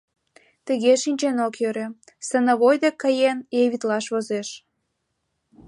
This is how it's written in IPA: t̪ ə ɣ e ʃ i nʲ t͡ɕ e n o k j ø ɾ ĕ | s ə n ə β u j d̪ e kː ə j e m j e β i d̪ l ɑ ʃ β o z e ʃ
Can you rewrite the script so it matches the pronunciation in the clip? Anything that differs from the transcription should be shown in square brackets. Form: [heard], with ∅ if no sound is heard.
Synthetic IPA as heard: t̪ ə ɣ e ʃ i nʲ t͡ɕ e n o k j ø ɾ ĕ | s ə n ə β [o] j d̪ e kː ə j e [n] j e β i [t̪] l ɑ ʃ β o z e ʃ